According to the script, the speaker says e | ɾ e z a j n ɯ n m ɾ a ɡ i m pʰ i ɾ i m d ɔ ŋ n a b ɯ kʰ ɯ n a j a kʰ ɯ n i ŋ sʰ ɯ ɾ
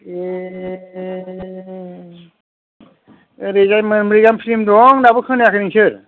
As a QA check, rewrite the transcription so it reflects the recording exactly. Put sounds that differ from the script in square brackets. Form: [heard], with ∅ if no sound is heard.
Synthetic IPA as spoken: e | ɾ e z a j [m] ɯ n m ɾ [i] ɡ [a] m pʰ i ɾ i m d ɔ ŋ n a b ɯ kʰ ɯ n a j a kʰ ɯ n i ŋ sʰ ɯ ɾ